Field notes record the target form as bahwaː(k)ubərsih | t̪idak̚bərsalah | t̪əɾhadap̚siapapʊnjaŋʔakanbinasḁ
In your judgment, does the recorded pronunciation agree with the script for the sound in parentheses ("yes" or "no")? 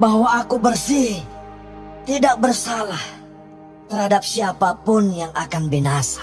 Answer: yes